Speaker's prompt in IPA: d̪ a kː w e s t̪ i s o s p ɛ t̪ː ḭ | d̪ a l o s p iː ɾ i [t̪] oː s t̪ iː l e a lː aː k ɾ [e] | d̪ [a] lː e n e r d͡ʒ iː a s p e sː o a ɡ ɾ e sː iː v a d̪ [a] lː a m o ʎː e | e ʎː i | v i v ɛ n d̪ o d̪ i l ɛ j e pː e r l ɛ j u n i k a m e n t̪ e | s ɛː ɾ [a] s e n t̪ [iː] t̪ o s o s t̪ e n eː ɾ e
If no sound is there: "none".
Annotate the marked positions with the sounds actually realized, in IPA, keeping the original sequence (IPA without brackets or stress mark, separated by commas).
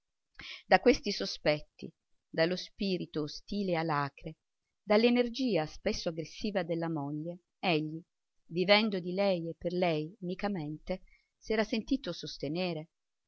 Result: t̪, e, a, e, a, iː